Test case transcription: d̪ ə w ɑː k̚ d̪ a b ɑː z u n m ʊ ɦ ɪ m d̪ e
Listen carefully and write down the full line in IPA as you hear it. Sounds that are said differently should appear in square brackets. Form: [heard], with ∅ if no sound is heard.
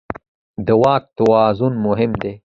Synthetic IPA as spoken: d̪ ə w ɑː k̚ [t̪] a [w] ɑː z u n m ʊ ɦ ɪ m d̪ e